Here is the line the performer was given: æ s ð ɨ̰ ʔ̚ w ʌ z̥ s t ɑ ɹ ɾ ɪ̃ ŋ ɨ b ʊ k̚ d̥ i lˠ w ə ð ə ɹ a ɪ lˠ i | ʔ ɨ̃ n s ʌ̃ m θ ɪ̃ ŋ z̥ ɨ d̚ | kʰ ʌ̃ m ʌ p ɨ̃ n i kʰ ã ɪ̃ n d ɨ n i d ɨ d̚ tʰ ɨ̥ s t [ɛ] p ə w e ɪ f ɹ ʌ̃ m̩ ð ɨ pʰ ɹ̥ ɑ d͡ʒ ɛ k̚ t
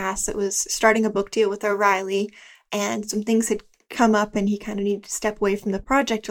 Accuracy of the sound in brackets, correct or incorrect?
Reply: correct